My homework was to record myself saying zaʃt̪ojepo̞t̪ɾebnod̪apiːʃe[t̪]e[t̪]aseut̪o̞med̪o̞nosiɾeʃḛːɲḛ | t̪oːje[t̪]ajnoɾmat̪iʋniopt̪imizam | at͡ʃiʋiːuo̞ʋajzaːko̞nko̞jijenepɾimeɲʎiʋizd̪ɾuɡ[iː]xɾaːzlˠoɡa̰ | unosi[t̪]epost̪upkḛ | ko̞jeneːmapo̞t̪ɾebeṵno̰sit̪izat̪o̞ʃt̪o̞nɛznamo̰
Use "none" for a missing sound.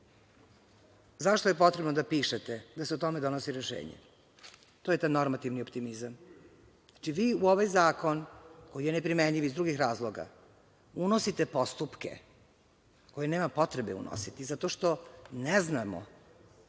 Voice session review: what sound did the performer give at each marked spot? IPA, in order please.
t̪, d̪, t̪, i, t̪

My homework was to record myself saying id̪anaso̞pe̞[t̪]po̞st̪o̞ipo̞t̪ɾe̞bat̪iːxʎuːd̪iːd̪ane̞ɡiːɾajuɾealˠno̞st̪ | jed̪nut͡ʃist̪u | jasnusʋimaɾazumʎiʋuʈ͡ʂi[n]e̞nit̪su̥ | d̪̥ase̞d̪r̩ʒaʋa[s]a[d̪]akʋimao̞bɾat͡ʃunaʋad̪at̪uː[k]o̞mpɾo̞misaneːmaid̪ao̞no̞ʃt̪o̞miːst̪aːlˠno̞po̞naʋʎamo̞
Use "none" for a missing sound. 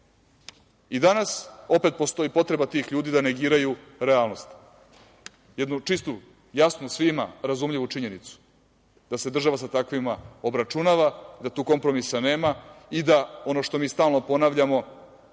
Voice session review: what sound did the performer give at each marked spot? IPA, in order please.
t̪, ɲ, s, t̪, k

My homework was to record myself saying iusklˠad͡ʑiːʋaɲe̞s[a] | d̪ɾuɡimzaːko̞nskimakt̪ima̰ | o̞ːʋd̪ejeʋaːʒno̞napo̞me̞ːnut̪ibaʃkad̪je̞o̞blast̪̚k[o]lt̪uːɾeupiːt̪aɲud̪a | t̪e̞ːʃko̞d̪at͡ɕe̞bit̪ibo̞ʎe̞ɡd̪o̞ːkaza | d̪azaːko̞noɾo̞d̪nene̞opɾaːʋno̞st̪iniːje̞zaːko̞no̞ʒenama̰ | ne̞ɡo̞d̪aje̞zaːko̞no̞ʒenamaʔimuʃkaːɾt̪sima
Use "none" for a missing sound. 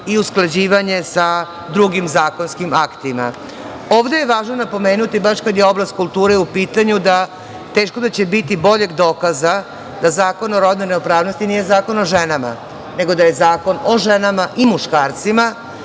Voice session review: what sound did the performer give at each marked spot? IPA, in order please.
a, u

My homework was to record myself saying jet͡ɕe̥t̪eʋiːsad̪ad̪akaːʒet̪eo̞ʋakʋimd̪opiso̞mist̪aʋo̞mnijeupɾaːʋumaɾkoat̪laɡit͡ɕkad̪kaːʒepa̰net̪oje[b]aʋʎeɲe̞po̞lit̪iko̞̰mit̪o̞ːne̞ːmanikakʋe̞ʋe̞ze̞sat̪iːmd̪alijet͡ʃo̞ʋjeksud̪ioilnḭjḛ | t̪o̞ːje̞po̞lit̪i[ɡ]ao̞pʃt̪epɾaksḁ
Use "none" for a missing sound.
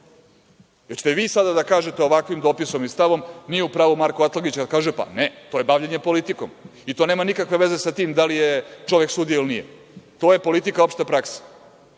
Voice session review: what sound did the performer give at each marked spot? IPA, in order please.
b, k

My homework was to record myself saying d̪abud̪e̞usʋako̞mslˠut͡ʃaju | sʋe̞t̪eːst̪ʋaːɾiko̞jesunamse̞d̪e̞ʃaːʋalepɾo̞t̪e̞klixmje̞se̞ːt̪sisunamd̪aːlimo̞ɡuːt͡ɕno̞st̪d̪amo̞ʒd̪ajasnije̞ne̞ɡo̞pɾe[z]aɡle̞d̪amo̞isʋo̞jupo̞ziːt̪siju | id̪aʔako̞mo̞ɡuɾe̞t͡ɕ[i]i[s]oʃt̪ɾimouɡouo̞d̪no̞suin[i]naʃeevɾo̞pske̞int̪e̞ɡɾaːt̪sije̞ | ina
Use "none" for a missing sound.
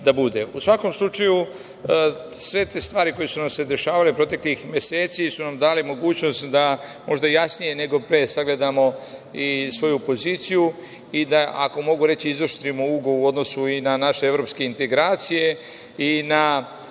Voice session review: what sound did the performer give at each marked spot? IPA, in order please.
s, i, z, a

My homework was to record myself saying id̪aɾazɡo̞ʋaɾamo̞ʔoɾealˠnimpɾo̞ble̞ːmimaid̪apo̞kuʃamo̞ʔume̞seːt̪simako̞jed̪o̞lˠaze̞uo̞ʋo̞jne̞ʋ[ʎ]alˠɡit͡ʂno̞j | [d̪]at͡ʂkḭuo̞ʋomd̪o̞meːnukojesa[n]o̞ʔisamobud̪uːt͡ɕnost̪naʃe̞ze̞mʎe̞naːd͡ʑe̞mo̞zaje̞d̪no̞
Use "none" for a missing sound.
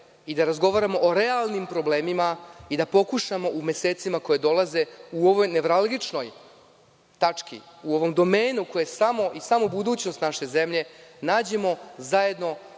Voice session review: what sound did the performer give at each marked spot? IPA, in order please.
ɾ, t̪, m

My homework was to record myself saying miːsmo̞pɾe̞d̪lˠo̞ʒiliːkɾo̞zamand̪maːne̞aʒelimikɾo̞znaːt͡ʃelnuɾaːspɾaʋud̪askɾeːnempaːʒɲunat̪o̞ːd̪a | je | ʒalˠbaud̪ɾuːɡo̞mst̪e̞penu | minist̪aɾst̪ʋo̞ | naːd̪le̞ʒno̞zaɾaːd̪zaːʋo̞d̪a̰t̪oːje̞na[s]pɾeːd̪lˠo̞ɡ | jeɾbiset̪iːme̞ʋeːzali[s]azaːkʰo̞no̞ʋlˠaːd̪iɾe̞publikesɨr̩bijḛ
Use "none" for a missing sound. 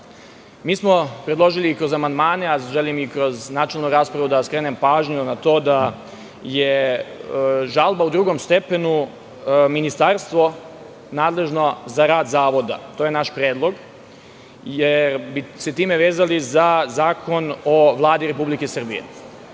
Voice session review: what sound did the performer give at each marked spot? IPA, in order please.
ʃ, z

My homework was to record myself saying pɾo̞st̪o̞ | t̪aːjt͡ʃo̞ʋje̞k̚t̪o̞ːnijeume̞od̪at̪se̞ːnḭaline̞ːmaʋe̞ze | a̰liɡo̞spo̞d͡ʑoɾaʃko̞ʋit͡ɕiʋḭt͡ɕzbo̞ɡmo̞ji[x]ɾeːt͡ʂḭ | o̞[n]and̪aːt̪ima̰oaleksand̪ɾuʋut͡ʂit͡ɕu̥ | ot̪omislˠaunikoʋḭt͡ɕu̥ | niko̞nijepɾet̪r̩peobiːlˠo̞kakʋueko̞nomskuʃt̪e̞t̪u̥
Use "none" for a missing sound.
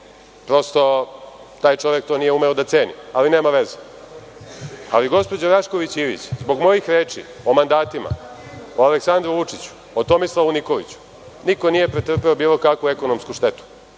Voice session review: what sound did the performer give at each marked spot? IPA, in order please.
x, m

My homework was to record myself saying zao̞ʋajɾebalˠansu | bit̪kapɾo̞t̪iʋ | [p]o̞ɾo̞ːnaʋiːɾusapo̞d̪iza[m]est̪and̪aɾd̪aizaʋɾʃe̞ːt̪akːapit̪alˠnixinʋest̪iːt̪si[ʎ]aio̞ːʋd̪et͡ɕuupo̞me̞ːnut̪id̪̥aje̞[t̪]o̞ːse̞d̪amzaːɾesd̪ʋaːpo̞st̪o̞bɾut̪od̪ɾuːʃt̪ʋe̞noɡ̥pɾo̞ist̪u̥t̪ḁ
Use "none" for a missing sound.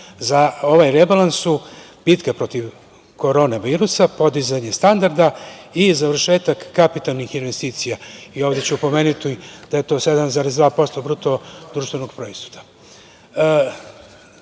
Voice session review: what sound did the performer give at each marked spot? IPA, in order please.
k, ɲ, j, t̪

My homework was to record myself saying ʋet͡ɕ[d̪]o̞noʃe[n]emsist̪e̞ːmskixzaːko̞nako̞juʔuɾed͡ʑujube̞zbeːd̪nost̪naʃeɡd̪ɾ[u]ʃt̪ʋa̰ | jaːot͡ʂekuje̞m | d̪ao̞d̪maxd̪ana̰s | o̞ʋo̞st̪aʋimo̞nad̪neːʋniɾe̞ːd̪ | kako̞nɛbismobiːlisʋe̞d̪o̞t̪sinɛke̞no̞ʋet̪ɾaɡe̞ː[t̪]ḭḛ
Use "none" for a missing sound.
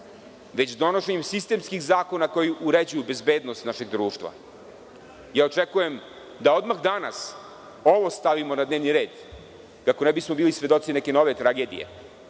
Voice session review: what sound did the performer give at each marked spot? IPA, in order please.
d̪, ɲ, uː, d̪

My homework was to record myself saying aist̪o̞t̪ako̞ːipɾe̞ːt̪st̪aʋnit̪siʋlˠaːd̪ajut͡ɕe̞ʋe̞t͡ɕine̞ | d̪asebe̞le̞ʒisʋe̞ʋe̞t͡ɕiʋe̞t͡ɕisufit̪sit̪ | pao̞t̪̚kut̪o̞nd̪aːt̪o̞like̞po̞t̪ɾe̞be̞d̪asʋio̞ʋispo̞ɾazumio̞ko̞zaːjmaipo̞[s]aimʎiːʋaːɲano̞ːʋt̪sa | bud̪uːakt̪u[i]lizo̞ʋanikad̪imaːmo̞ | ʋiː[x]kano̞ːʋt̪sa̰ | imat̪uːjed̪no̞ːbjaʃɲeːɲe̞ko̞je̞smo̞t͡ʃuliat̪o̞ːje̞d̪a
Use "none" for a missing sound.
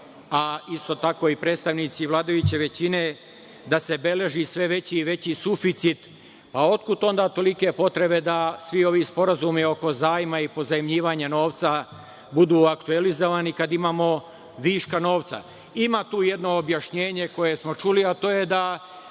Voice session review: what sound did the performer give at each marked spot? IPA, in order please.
z, e, ʃ

